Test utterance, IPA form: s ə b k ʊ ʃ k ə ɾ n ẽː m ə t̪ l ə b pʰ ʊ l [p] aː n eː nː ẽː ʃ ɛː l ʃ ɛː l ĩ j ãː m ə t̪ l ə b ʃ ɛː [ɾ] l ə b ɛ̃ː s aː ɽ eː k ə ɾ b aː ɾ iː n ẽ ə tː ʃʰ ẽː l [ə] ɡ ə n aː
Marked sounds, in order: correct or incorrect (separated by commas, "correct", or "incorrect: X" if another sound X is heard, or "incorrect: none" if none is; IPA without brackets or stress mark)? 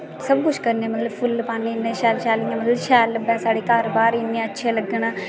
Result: correct, incorrect: none, correct